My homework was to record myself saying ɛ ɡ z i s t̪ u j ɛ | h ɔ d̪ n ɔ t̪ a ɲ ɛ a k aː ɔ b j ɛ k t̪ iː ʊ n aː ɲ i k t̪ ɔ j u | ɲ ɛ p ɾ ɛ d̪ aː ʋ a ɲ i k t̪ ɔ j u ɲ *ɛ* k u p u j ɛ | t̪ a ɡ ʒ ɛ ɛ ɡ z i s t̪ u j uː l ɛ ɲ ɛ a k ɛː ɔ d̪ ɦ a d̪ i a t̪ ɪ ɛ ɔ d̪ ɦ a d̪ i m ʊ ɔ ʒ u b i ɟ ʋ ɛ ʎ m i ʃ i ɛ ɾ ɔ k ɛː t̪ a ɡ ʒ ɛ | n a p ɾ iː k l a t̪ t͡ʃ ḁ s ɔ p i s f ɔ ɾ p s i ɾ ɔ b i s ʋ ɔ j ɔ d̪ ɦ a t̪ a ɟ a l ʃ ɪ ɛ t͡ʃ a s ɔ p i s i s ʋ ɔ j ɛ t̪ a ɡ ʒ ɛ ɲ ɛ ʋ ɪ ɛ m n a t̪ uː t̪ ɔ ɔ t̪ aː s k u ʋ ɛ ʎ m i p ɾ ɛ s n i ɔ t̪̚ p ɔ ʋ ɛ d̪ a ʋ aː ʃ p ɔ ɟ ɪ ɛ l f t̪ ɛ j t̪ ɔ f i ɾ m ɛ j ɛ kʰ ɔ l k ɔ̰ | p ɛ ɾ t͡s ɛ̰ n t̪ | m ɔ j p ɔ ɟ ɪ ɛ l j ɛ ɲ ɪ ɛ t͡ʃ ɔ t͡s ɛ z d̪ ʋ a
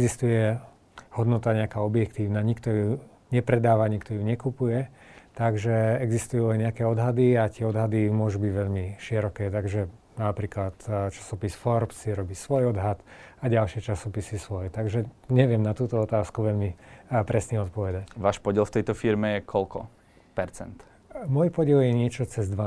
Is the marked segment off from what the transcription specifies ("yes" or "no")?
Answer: no